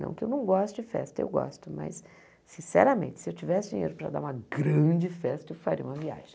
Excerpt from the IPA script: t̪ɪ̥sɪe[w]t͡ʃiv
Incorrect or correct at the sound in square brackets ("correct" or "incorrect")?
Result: correct